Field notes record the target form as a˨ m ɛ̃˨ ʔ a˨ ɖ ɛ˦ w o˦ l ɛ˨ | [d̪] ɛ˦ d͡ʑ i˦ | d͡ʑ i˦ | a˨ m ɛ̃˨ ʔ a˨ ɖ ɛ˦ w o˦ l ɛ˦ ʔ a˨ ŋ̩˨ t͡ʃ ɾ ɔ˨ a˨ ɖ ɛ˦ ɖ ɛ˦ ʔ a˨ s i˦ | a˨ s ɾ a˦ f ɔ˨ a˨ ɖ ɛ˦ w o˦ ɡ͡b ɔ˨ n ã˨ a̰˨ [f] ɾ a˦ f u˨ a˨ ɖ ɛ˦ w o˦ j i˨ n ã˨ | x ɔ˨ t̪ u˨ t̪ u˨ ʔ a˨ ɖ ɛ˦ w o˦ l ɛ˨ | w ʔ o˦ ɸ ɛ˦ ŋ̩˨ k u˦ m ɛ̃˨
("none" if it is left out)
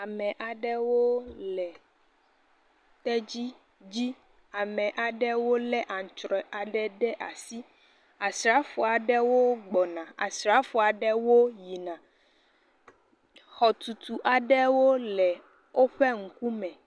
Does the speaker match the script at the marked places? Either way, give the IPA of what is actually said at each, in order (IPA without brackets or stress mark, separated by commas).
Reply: t̪, s